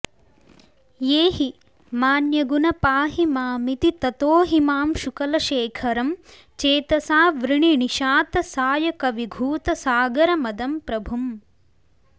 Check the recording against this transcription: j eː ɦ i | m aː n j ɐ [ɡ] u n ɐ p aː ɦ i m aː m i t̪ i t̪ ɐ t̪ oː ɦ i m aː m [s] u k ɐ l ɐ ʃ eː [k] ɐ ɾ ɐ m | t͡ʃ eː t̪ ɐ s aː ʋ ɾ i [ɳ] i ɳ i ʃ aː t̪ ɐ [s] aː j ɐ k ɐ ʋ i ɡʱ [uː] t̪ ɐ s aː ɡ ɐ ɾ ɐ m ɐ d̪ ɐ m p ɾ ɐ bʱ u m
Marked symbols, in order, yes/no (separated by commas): yes, no, no, yes, yes, yes